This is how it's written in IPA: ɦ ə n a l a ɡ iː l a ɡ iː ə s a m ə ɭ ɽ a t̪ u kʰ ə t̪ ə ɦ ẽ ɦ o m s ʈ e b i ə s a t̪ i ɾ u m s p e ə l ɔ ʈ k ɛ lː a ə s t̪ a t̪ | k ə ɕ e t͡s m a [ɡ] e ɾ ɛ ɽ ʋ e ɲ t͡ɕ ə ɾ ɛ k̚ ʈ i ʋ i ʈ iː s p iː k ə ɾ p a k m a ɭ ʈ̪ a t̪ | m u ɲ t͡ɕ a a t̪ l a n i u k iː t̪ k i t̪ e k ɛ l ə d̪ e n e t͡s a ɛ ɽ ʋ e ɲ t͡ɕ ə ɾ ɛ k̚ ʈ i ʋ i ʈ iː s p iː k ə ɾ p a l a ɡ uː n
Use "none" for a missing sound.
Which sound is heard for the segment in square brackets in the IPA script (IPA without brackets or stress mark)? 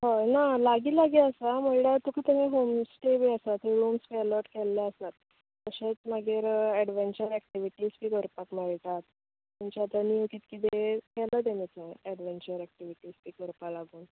ɡ